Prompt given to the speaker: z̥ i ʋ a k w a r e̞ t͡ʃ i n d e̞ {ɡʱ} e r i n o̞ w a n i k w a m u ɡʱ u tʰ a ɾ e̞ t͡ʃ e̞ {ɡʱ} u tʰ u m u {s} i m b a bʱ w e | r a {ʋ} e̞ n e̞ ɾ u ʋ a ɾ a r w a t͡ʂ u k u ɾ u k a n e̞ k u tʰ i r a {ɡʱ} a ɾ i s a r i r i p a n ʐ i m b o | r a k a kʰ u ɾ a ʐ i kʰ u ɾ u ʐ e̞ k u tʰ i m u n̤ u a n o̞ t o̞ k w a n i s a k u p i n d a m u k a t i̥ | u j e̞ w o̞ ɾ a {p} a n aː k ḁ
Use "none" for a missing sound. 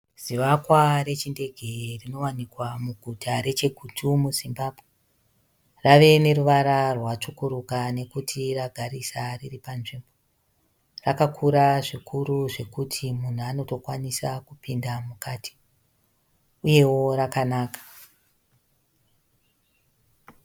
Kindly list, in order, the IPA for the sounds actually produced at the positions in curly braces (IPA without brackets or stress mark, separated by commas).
ɡʱ, ɡʱ, z, ʋ, ɡʱ, k